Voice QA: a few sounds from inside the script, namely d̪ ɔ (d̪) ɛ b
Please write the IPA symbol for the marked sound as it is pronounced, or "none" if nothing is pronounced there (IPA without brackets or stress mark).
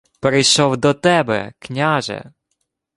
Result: t̪